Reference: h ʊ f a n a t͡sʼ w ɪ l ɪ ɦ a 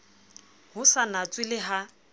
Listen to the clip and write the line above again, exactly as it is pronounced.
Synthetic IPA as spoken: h ʊ s a n a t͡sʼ w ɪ l ɪ ɦ a